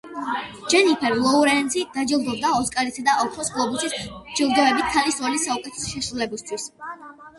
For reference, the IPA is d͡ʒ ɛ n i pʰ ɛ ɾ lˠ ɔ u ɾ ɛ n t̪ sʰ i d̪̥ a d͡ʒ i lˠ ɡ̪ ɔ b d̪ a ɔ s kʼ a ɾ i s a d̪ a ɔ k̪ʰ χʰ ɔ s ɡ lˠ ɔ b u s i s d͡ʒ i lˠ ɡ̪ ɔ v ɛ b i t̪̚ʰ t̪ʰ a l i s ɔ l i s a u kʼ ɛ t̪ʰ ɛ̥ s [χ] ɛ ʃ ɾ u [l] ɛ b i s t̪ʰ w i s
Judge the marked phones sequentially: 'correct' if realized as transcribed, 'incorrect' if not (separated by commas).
incorrect, correct